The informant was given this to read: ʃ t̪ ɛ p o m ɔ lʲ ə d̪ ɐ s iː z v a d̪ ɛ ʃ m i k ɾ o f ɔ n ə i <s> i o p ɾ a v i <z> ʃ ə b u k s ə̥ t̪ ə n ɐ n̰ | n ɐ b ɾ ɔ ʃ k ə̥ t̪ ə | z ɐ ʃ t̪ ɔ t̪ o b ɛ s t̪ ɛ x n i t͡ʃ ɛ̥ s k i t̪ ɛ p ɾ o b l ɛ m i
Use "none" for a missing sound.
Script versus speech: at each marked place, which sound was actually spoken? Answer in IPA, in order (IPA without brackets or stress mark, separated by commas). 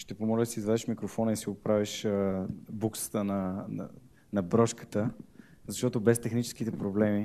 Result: s, none